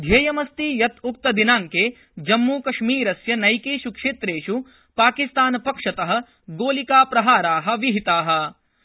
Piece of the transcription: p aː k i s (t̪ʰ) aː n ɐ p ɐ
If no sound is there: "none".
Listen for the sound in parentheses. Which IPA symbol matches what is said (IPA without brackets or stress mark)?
t̪